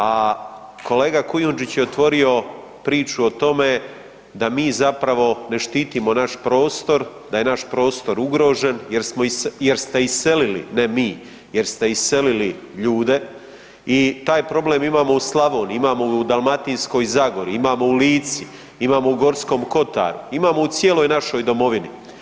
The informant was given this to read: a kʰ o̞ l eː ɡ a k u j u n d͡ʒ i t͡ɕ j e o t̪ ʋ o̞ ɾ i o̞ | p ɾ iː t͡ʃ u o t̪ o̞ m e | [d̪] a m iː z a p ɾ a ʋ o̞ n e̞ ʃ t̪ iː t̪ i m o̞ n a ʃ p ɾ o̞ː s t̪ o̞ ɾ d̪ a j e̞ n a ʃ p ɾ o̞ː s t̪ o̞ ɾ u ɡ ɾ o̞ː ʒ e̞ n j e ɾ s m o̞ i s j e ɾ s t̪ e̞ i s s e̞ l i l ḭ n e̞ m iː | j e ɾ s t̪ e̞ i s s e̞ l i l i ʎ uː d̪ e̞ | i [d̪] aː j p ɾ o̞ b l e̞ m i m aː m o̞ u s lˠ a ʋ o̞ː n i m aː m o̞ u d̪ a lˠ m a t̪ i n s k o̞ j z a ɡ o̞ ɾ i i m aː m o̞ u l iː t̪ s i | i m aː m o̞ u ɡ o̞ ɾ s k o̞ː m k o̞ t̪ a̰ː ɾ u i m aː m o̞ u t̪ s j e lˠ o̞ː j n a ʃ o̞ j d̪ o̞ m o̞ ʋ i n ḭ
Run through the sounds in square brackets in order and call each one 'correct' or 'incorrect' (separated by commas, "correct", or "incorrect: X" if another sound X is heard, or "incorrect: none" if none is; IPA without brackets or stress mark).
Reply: correct, incorrect: t̪